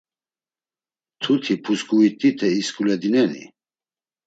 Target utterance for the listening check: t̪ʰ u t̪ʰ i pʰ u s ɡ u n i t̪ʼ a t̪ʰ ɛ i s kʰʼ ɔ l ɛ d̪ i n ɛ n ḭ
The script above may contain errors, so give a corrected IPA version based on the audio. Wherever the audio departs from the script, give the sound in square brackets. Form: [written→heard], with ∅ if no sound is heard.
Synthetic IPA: t̪ʰ u t̪ʰ i pʰ u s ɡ u [n→∅] i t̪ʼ [a→i] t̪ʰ ɛ i s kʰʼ [ɔ→u] l ɛ d̪ i n ɛ n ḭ